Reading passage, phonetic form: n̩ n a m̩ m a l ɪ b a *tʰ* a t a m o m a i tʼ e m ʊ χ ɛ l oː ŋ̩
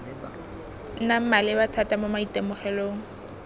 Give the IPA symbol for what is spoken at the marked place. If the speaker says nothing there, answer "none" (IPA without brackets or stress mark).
tʰ